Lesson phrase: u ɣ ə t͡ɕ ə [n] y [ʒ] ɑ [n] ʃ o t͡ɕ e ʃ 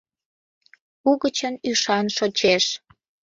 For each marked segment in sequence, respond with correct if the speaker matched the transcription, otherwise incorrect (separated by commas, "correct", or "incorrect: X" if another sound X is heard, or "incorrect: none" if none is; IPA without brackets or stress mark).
correct, incorrect: ʃ, correct